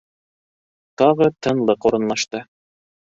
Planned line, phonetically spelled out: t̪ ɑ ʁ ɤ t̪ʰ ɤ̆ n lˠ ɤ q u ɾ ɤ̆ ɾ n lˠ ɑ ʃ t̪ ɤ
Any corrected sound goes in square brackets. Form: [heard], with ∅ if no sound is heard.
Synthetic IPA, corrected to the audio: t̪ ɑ ʁ ɤ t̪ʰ ɤ̆ n lˠ ɤ q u ɾ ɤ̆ [∅] n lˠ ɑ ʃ t̪ ɤ